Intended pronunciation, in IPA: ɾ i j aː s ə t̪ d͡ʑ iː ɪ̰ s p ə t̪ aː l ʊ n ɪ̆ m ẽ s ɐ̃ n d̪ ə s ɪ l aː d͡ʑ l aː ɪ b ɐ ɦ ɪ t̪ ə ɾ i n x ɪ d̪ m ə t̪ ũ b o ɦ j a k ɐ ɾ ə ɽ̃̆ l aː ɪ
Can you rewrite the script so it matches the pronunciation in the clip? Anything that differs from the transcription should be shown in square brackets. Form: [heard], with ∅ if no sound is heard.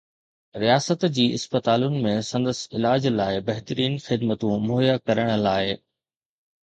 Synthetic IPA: ɾ i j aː s ə t̪ d͡ʑ iː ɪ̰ s p ə t̪ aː l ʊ n ɪ̆ m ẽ s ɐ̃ n d̪ ə s ɪ l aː d͡ʑ l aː ɪ b ɐ ɦ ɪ t̪ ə ɾ [iː] n x ɪ d̪ m ə t̪ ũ [m] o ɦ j a k ɐ ɾ ə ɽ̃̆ l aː ɪ